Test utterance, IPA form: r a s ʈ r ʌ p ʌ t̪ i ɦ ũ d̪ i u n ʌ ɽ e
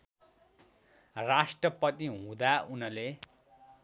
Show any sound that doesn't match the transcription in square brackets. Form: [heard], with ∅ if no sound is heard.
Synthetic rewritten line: r a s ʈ r ʌ p ʌ t̪ i ɦ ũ d̪ [a] u n ʌ [l] e